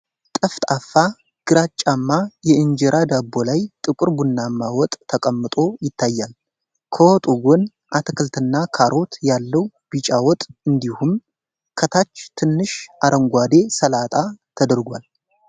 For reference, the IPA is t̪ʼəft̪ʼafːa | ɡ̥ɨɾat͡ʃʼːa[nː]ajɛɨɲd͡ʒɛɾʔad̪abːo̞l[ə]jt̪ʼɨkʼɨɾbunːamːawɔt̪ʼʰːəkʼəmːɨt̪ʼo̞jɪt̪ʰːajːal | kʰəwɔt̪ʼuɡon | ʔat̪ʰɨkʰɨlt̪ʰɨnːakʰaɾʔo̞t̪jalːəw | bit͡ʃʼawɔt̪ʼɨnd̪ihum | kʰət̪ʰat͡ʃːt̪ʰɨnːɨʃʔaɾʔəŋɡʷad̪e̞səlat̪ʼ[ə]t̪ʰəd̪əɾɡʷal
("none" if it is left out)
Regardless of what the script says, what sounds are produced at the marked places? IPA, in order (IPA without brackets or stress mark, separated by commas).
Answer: mː, a, a